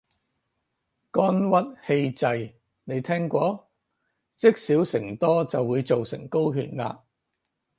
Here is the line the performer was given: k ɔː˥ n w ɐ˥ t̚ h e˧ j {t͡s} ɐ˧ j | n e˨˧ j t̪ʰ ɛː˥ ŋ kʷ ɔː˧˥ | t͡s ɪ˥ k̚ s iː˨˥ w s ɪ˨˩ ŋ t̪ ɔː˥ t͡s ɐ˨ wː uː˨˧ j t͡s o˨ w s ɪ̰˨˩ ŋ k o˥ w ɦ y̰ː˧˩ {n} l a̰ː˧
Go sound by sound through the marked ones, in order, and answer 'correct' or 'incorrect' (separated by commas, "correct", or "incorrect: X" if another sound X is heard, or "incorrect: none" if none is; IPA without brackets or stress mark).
correct, correct